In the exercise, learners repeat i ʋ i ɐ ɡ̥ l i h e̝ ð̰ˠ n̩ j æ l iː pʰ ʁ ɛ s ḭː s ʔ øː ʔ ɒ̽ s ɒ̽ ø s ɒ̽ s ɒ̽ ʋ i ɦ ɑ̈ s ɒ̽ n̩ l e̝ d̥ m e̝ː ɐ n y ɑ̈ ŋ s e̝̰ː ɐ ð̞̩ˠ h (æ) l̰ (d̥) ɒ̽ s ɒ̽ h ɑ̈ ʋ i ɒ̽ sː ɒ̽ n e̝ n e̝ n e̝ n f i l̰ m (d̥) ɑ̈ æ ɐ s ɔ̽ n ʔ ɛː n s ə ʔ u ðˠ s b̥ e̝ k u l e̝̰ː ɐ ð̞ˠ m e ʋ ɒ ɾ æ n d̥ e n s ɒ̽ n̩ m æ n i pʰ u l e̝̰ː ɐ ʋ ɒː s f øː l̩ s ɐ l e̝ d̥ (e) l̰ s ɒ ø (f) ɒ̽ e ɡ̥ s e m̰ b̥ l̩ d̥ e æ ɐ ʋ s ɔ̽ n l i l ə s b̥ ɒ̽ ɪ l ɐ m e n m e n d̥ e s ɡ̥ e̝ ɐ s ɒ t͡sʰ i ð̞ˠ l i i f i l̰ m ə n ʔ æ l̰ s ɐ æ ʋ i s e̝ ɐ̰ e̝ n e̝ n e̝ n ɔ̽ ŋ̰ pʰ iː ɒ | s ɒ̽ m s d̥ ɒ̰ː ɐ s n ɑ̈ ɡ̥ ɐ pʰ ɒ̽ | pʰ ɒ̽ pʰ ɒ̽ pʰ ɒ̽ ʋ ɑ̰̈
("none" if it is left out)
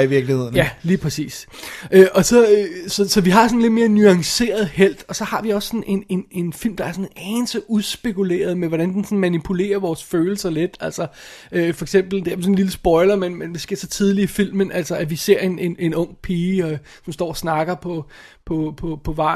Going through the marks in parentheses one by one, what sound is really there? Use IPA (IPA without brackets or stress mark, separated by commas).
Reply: e, d̥, d̥, æ, f